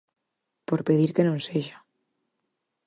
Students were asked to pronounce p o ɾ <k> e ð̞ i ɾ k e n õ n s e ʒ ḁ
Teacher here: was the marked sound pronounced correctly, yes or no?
no